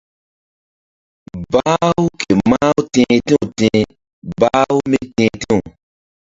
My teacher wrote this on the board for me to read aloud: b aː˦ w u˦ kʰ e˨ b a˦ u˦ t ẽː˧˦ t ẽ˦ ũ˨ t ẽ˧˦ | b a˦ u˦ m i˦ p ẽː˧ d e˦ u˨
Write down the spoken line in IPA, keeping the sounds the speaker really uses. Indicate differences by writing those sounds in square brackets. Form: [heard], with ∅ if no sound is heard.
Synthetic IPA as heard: b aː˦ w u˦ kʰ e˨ [m] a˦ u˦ t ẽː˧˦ t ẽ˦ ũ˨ t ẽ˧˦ | b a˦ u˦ m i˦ [t] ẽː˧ [t] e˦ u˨